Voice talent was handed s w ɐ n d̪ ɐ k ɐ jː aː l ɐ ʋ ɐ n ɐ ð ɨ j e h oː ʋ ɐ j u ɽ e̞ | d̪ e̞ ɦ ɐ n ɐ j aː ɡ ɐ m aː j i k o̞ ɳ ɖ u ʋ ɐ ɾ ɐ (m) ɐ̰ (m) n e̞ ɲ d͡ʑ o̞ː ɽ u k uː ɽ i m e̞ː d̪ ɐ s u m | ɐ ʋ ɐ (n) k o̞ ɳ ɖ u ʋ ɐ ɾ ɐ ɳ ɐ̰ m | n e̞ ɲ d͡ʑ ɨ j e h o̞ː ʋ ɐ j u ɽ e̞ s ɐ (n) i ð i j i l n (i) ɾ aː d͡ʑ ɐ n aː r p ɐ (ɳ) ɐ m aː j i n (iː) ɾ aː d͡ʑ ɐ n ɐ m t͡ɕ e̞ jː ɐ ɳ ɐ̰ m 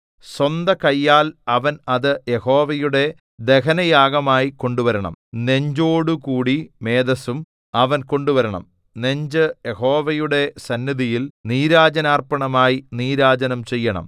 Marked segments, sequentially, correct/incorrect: incorrect: ɳ, correct, correct, incorrect: nː, incorrect: iː, correct, correct

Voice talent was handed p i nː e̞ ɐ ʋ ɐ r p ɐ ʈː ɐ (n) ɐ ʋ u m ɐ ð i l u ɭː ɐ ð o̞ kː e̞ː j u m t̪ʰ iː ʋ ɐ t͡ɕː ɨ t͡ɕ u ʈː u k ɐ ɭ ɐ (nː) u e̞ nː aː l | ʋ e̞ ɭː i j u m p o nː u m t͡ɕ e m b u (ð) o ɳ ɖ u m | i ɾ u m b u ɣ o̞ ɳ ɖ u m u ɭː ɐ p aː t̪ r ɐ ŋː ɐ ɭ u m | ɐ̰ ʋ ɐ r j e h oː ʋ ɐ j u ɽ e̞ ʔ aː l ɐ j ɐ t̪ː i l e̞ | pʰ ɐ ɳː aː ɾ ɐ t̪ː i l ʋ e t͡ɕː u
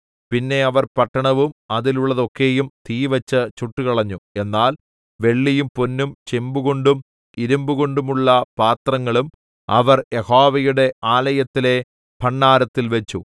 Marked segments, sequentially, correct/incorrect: incorrect: ɳ, incorrect: ɲː, incorrect: ɣ

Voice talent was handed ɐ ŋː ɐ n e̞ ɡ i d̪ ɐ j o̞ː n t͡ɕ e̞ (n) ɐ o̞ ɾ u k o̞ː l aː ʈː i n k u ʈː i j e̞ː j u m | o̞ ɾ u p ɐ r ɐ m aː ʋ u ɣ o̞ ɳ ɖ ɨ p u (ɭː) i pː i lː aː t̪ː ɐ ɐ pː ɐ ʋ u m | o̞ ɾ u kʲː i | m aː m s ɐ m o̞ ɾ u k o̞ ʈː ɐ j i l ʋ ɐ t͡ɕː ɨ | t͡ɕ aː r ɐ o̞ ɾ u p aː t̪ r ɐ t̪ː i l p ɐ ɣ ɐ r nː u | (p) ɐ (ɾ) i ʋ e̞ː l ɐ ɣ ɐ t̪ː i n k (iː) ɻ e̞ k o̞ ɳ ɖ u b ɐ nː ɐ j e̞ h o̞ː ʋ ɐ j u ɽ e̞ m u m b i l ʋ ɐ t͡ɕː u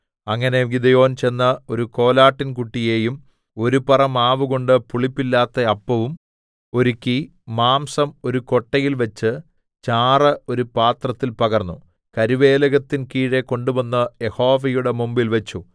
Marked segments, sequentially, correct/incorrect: incorrect: nː, incorrect: ɭ, incorrect: k, correct, correct

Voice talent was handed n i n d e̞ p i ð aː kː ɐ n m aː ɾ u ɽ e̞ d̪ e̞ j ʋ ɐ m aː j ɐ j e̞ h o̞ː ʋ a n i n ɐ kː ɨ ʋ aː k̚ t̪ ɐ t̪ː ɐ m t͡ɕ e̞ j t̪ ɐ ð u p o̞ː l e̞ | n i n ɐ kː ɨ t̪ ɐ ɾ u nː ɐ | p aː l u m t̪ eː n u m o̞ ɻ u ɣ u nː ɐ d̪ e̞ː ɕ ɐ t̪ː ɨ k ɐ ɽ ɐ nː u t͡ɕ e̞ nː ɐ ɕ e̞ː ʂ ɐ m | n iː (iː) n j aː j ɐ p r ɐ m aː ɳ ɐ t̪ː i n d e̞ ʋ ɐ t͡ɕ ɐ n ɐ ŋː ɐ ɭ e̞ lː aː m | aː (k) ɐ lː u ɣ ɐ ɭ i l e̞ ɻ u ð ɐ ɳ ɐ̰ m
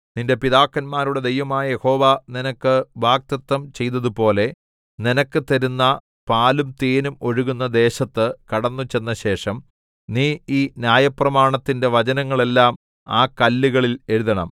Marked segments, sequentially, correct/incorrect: correct, correct

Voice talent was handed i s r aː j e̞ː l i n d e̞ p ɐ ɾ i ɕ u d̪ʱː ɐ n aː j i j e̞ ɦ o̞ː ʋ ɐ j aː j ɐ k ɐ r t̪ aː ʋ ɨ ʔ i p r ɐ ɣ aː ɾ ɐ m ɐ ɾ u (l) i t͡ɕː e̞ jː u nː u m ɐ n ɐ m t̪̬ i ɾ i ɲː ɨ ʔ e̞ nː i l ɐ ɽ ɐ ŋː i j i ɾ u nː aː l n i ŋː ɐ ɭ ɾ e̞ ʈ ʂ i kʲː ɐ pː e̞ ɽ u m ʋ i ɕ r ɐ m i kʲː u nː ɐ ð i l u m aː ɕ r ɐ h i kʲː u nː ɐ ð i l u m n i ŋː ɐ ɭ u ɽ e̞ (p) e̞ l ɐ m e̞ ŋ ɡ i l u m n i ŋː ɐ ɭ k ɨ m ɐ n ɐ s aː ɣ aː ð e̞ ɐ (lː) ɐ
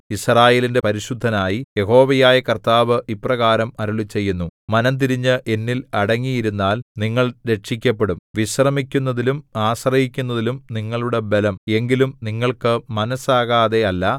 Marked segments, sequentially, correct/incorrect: incorrect: ɭ, incorrect: b, correct

